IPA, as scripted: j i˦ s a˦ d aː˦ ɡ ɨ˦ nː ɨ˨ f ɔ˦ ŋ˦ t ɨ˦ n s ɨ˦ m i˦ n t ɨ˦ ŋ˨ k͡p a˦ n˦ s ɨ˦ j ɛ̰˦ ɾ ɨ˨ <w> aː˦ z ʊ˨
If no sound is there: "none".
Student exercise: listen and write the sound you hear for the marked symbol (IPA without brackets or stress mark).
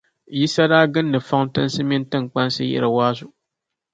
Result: w